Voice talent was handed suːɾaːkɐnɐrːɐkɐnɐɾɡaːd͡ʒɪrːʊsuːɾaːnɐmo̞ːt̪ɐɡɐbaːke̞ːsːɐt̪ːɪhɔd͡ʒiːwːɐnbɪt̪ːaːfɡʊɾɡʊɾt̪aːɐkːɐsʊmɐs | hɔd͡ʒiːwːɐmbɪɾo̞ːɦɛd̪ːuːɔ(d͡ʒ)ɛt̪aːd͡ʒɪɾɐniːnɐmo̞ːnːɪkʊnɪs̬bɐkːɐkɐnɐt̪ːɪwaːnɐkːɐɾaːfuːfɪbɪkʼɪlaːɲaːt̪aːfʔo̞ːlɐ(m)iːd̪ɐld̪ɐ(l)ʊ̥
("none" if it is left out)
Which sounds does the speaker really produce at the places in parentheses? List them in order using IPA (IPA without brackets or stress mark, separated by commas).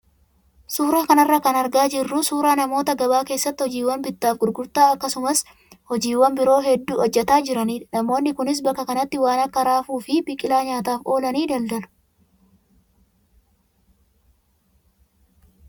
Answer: d͡ʒː, n, l